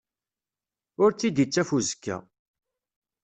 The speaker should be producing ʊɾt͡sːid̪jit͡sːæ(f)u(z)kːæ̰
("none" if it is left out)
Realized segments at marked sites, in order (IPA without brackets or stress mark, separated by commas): f, z